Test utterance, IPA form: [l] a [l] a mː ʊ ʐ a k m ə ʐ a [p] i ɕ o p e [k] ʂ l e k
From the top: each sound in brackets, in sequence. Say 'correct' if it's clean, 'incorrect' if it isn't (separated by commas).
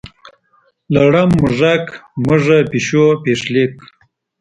correct, incorrect, correct, incorrect